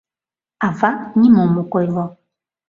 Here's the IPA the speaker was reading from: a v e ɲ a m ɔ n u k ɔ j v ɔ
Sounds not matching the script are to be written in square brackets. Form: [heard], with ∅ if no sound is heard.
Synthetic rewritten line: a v [a] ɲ [i] m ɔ [m] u k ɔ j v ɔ